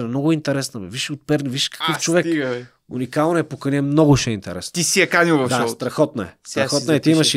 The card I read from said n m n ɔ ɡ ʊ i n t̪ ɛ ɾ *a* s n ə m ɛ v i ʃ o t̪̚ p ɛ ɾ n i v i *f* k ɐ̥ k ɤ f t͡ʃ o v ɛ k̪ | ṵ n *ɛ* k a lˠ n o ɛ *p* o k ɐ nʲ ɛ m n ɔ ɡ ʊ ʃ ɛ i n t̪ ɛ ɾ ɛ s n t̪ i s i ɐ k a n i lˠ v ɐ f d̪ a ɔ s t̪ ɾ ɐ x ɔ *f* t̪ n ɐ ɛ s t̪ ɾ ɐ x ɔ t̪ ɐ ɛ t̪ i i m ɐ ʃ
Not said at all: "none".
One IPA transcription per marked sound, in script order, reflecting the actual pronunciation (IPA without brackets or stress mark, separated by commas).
ɛ, ʃ, i, p, none